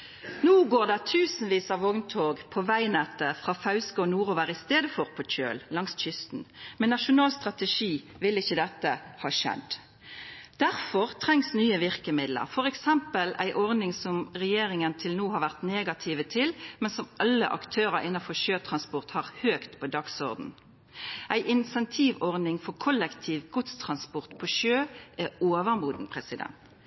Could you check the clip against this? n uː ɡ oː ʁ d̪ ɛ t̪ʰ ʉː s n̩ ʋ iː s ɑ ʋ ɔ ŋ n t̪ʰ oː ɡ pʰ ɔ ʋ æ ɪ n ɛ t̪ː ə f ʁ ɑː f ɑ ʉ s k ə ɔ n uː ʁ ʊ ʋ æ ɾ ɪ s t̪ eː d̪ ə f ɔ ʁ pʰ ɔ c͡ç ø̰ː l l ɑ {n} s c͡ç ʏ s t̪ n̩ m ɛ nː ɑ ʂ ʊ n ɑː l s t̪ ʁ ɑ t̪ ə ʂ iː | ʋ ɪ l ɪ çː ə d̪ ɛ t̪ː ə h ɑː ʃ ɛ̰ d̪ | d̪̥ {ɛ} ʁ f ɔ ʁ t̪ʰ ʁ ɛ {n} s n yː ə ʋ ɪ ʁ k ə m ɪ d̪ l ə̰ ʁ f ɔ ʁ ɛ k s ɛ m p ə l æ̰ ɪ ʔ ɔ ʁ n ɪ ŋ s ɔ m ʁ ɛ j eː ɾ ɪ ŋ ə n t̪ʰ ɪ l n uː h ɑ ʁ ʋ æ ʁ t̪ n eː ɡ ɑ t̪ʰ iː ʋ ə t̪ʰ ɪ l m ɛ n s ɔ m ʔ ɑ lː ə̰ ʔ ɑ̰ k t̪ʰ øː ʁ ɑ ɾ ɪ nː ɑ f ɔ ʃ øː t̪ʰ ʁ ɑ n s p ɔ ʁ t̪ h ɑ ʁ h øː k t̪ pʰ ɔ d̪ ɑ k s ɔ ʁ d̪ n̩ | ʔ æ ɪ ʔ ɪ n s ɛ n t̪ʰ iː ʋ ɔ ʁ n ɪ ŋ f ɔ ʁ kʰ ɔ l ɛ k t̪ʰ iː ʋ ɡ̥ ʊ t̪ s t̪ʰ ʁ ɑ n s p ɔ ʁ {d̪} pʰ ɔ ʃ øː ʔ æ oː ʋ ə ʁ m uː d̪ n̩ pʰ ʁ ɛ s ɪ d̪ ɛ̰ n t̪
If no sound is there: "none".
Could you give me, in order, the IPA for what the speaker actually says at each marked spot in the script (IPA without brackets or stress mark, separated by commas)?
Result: ŋ, æ, ŋ, t̪